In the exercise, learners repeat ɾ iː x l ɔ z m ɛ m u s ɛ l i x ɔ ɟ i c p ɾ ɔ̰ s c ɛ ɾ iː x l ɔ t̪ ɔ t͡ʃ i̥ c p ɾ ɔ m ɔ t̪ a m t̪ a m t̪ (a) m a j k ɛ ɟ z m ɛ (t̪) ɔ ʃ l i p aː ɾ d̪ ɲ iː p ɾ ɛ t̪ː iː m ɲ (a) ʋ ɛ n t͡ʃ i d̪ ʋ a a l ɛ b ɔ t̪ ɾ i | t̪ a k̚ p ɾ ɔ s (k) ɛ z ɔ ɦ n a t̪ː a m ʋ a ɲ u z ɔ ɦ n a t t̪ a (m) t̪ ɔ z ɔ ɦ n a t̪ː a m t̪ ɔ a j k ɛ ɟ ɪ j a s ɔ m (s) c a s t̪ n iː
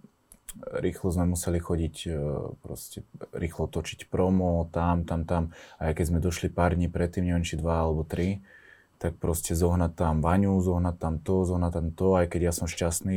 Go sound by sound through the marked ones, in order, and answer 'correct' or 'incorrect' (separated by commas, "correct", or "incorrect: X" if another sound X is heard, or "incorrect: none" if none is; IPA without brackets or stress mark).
correct, incorrect: d̪, incorrect: ɛ, incorrect: c, correct, incorrect: ʃ